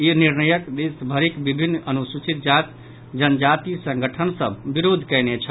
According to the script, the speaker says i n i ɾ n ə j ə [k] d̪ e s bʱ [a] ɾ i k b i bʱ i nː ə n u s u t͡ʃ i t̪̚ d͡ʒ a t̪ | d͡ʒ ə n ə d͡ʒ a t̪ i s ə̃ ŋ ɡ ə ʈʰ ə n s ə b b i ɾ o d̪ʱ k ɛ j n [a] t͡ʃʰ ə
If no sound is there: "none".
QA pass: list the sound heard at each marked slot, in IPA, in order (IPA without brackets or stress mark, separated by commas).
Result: k, ə, e